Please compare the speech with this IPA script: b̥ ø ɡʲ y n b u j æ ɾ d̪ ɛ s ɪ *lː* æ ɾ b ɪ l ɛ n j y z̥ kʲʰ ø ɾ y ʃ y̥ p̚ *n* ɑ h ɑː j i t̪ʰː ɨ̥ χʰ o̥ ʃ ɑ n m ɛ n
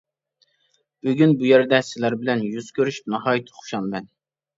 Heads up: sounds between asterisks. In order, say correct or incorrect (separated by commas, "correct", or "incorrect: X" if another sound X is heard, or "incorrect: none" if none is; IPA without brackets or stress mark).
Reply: incorrect: l, correct